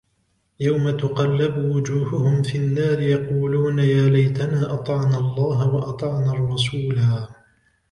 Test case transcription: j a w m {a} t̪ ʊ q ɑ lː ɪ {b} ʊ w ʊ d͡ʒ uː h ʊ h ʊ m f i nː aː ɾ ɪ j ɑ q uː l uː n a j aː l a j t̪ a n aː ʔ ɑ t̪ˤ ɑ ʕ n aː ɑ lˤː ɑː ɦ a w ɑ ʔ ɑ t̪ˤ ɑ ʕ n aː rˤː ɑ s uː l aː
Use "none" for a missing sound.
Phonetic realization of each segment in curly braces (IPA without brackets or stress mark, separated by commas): a, b